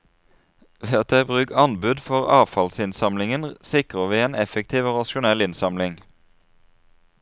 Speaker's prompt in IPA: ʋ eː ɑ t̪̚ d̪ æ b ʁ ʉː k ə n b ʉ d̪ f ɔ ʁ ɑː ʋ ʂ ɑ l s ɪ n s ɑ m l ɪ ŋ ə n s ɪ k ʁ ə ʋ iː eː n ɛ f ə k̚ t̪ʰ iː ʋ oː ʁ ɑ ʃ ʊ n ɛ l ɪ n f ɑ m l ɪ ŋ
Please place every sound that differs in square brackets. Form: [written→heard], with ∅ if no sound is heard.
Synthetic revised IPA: ʋ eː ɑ t̪̚ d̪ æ b ʁ ʉː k [ə→ɑ] n b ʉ d̪ f ɔ ʁ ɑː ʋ [ʂ→f] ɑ l s ɪ n s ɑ m l ɪ ŋ ə n s ɪ k ʁ ə ʋ iː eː n ɛ f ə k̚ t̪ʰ iː ʋ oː ʁ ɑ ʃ ʊ n ɛ l ɪ n [f→s] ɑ m l ɪ ŋ